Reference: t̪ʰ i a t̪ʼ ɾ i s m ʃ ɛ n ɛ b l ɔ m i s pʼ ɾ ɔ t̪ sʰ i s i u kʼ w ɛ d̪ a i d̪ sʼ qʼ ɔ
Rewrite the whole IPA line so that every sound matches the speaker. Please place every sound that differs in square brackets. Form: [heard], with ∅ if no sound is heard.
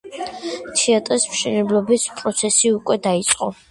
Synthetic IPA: t̪ʰ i a t̪ʼ ɾ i s m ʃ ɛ n ɛ b l ɔ [b] i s pʼ ɾ ɔ t̪ sʰ [ɛ] s i u kʼ w ɛ d̪ a i [t̪] sʼ qʼ ɔ

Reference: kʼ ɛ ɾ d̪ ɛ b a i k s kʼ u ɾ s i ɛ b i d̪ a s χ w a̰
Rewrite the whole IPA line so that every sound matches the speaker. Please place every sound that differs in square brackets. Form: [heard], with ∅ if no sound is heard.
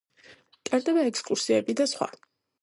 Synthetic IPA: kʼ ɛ ɾ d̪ ɛ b a [ɛ] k s kʼ u ɾ s i ɛ b i d̪ a s χ w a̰

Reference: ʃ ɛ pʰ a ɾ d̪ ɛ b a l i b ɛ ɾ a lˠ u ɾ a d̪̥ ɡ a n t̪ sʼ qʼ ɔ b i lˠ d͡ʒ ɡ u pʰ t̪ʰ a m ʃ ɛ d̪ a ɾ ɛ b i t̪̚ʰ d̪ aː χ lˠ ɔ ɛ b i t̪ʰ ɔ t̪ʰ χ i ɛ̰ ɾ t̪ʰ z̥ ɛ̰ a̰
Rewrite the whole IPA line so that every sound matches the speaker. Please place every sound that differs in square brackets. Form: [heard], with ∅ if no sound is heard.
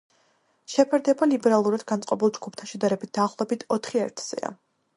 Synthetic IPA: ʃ ɛ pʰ [ɛ] ɾ d̪ ɛ b a l i b ɛ ɾ a lˠ u ɾ a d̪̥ ɡ a n t̪ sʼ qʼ ɔ b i lˠ d͡ʒ ɡ u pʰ t̪ʰ a [n] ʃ ɛ d̪ a ɾ ɛ b i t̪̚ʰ d̪ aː χ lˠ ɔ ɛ b i t̪ʰ ɔ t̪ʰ χ i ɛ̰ ɾ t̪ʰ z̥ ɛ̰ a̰

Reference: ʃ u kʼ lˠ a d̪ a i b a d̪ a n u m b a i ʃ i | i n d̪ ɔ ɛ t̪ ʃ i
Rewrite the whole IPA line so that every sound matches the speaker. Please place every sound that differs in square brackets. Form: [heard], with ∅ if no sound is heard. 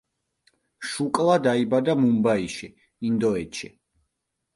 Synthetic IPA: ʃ u kʼ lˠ a d̪ a i b a d̪ a [m] u m b a i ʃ i | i n d̪ ɔ ɛ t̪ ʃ i

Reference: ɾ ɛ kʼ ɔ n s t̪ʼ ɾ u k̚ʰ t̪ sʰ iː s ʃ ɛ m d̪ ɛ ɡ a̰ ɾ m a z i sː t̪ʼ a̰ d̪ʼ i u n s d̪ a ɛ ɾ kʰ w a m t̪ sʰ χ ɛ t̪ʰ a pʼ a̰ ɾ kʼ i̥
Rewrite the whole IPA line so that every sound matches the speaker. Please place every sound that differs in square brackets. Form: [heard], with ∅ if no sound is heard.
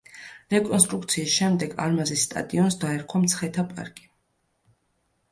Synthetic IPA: ɾ ɛ kʼ ɔ n s t̪ʼ ɾ u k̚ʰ t̪ sʰ iː s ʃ ɛ m d̪ ɛ ɡ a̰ ɾ m a z i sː t̪ʼ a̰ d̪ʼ i [ɔ] n s d̪ a ɛ ɾ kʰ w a m t̪ sʰ χ ɛ t̪ʰ a pʼ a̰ ɾ kʼ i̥

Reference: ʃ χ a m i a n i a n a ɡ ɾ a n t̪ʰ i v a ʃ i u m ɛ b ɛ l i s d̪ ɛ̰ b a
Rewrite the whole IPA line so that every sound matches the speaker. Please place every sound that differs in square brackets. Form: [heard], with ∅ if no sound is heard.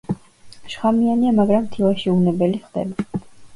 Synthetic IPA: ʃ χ a m i a n i a [m] a ɡ ɾ a [m] t̪ʰ i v a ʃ i u [n] ɛ b ɛ l i [χ] d̪ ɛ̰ b a

